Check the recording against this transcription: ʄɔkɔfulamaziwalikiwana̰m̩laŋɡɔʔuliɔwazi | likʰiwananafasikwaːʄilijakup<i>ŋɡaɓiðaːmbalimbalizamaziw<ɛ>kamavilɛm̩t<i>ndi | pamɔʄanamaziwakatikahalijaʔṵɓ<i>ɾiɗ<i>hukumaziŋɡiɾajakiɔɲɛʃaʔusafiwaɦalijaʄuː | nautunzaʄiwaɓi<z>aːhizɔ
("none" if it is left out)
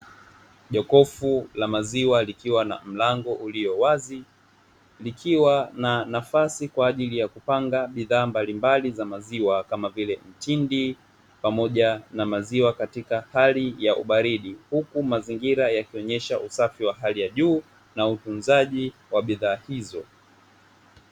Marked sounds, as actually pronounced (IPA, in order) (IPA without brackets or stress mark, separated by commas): a, a, i, a, i, ð